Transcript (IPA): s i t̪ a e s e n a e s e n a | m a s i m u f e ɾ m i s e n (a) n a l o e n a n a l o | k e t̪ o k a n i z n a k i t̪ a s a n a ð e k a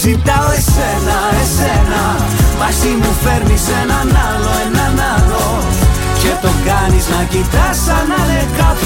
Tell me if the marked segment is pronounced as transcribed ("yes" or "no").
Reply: yes